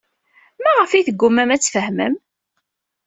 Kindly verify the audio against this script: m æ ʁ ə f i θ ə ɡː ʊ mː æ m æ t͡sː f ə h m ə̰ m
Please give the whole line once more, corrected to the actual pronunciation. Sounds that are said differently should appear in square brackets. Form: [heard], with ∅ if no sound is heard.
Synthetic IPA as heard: m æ ʁ ə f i θ ə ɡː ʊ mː æ m æ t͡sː f ə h m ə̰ m